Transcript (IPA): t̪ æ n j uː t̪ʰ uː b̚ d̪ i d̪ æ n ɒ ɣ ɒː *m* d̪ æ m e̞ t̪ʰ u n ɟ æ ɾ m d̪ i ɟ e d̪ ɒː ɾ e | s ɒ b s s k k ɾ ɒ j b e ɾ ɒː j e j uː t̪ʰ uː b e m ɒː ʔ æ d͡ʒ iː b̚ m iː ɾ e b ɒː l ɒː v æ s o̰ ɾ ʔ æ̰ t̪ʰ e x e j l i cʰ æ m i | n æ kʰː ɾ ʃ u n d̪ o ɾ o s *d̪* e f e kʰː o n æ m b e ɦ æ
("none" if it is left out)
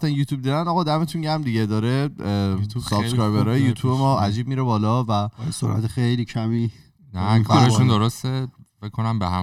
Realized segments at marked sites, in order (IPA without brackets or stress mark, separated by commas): none, t̪